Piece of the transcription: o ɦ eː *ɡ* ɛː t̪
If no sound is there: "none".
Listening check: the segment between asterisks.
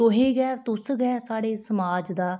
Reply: ɡ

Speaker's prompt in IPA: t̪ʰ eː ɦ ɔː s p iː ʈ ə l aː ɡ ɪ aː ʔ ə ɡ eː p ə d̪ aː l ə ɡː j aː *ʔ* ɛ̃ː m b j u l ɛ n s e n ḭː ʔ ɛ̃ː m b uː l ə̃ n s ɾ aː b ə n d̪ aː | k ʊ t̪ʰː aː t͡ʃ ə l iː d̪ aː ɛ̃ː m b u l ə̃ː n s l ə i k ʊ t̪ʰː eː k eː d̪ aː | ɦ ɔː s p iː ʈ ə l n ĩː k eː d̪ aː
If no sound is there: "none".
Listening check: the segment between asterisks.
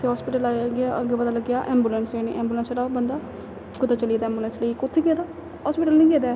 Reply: ʔ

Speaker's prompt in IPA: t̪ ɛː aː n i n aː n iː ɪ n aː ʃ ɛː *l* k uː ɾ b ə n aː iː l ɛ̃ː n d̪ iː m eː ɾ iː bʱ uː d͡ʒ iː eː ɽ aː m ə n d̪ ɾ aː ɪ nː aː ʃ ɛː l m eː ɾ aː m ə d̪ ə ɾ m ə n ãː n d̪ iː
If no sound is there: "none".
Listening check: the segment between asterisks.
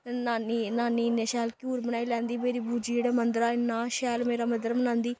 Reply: l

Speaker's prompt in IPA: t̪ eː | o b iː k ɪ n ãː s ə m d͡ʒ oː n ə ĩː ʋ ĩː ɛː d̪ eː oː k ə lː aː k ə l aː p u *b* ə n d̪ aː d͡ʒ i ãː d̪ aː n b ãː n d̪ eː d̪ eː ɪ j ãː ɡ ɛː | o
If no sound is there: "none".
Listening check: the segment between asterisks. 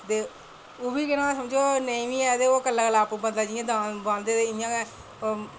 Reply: b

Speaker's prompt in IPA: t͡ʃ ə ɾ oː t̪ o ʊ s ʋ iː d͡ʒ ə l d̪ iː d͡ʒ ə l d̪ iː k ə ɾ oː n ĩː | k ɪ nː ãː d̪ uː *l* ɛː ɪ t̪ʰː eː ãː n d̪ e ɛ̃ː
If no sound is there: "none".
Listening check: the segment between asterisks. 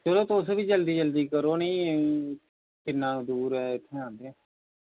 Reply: ɾ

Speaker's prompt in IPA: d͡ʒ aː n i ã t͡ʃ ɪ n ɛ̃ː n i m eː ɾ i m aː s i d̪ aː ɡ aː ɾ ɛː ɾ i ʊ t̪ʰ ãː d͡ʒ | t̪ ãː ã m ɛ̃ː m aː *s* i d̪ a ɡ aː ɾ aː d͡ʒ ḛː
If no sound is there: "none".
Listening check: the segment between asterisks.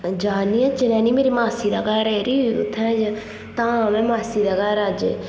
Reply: s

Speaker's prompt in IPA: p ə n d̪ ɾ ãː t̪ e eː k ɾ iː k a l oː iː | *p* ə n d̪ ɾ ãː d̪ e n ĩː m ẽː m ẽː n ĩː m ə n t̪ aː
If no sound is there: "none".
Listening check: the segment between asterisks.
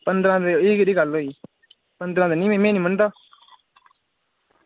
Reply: p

